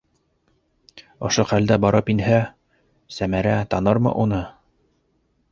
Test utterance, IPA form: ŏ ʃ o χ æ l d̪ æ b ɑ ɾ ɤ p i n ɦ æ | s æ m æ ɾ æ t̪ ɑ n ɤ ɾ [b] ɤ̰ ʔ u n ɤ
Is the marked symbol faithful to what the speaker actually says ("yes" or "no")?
no